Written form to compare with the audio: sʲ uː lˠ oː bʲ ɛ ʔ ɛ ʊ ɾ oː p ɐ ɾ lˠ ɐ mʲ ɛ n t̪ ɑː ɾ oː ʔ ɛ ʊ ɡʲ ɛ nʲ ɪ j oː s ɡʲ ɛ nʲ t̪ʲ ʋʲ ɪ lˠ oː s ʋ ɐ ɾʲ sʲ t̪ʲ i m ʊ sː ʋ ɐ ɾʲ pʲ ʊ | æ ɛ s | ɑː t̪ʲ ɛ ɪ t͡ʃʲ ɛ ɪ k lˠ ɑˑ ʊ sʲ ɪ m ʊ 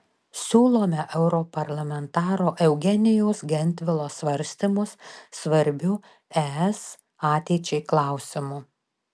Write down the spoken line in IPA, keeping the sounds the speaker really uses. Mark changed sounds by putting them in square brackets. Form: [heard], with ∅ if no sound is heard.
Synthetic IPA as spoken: sʲ uː lˠ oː [mʲ] ɛ ʔ ɛ ʊ ɾ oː p ɐ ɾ lˠ ɐ mʲ ɛ n t̪ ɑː ɾ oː ʔ ɛ ʊ ɡʲ ɛ nʲ ɪ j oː s ɡʲ ɛ nʲ t̪ʲ ʋʲ ɪ lˠ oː s ʋ ɐ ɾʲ sʲ t̪ʲ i m ʊ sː ʋ ɐ ɾʲ [bʲ] ʊ | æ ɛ s | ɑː t̪ʲ ɛ ɪ t͡ʃʲ ɛ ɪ k lˠ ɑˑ ʊ sʲ ɪ m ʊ